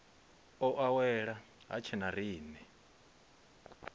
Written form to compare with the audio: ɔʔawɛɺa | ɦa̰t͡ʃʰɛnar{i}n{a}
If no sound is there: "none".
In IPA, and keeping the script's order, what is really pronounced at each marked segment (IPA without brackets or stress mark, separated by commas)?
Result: iː, ɛ